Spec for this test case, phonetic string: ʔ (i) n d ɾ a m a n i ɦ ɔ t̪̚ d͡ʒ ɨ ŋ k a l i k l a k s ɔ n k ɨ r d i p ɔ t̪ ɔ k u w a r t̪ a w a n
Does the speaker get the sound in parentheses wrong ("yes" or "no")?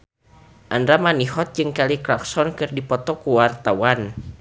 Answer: yes